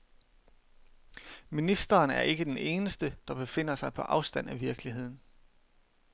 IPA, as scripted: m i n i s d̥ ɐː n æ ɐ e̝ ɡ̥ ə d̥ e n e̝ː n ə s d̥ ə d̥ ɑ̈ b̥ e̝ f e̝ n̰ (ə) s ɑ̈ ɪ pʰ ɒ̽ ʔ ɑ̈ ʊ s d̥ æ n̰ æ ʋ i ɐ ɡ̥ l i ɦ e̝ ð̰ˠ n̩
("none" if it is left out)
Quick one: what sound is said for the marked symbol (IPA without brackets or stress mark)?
ɐ